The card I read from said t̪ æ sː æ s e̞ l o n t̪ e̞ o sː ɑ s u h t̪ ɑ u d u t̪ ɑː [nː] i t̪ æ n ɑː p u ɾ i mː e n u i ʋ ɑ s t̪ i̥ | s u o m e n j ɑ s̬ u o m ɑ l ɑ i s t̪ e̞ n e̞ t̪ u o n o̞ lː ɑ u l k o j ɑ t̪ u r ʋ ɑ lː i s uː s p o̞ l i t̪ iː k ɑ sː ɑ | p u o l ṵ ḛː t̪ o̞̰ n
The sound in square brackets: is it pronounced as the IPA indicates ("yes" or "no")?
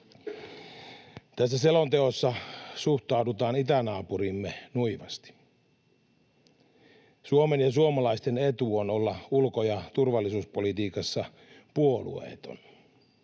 no